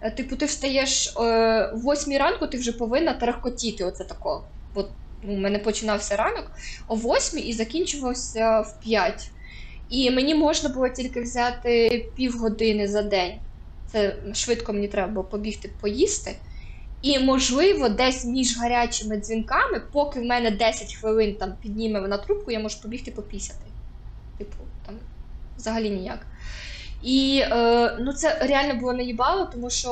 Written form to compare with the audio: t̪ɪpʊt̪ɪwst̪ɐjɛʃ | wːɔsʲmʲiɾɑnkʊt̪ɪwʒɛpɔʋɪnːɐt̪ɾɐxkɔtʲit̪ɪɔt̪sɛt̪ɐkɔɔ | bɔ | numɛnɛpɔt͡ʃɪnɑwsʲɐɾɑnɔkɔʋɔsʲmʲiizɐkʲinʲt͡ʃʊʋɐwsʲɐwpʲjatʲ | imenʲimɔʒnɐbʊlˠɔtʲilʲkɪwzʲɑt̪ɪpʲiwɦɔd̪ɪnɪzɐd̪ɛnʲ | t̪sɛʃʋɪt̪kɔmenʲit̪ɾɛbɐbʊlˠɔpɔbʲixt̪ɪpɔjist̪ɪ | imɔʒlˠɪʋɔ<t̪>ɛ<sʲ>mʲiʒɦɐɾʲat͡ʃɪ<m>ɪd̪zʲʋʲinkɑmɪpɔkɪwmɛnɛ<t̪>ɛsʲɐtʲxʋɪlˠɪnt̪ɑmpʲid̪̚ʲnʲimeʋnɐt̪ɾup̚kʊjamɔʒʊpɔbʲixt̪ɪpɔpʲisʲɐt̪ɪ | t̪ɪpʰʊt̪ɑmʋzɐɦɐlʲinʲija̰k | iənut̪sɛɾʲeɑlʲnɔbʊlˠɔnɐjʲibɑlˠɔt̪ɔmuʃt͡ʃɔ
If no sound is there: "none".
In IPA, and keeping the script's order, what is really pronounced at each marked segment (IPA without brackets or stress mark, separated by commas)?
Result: d̪, sʲ, m, d̪